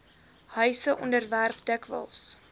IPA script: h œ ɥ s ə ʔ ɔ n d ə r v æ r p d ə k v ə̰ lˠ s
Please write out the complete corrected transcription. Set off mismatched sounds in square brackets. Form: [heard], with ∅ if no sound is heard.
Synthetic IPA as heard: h œ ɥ s ə ʔ ɔ n d ə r v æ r p d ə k v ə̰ lˠ s